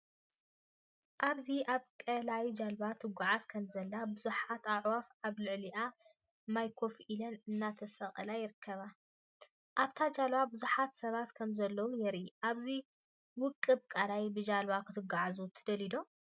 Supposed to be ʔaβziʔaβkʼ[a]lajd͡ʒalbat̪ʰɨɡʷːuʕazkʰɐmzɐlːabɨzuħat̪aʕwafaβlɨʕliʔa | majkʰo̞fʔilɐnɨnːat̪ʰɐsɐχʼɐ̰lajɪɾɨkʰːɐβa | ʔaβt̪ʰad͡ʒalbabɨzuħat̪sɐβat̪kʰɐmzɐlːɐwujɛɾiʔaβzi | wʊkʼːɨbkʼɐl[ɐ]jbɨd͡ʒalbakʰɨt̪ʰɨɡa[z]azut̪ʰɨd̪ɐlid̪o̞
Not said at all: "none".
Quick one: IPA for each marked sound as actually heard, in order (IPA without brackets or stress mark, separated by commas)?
ɐ, a, ʕ